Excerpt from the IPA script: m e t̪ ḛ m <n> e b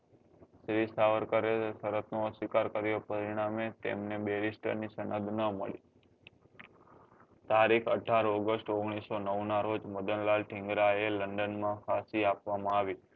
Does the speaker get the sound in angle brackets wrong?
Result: no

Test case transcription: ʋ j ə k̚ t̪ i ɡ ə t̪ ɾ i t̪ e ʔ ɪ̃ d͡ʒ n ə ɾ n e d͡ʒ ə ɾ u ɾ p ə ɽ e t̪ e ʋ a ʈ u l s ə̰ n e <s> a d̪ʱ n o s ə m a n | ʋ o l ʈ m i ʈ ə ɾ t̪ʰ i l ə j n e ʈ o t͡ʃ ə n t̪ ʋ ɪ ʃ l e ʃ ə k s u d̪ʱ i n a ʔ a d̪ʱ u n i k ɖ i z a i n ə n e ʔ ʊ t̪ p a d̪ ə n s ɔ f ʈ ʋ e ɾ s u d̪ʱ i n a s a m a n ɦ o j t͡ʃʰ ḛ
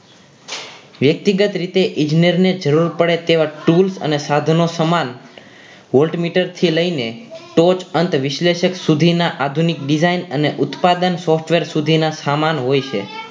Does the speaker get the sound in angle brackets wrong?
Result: no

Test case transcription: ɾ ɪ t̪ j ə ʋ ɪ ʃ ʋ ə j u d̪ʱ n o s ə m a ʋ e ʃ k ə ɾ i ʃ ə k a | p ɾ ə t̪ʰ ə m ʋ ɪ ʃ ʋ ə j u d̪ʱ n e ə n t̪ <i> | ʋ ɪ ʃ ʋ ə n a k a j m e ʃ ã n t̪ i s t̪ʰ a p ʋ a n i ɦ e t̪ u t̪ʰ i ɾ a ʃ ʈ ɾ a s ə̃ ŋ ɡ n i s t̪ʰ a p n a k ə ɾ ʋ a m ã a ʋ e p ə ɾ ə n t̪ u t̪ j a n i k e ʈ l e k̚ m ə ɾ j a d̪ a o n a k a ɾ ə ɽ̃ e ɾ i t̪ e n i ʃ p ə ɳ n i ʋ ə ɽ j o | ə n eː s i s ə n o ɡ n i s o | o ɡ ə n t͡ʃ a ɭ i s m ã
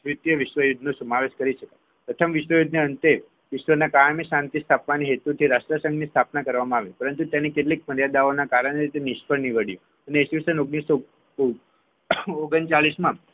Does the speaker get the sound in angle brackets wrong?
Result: yes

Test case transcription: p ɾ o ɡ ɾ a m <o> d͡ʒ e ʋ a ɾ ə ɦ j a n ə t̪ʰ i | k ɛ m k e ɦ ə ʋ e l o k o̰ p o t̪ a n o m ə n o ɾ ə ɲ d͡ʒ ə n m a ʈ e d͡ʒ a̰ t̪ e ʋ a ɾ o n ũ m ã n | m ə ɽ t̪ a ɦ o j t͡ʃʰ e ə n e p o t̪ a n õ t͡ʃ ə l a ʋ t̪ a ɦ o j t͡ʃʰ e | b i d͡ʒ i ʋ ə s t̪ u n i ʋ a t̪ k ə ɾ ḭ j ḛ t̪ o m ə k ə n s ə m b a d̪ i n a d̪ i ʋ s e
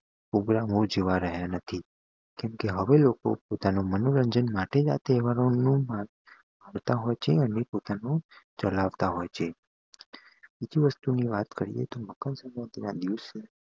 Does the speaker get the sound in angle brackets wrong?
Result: no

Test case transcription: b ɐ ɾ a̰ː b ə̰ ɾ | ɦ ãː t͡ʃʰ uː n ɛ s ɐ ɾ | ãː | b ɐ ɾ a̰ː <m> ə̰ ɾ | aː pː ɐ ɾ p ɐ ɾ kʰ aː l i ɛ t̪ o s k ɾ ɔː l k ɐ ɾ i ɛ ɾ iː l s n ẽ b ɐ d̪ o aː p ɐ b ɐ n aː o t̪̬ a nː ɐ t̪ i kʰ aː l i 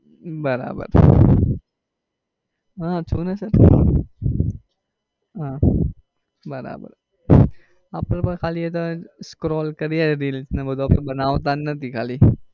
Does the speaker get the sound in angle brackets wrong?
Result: yes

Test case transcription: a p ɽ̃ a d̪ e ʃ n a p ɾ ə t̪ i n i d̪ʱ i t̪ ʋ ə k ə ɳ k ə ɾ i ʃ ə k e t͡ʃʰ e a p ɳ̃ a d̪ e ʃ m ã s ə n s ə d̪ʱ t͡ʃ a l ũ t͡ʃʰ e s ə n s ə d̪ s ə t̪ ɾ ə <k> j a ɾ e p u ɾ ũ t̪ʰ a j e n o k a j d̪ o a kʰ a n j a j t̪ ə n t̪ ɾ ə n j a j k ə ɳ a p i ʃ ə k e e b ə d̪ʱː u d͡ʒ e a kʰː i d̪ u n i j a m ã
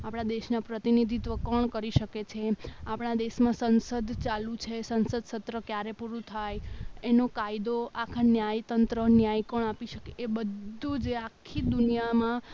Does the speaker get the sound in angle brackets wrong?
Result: no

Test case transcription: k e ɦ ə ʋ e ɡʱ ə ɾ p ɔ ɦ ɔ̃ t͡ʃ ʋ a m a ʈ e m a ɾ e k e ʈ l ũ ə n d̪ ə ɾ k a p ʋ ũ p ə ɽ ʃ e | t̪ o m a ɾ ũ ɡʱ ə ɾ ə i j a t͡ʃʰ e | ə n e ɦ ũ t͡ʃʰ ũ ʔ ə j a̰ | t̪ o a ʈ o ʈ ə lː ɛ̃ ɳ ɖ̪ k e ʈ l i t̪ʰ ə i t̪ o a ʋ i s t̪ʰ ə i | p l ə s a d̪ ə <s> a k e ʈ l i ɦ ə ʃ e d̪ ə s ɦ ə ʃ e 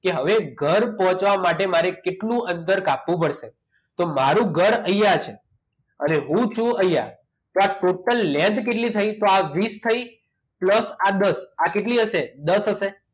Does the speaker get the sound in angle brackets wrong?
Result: no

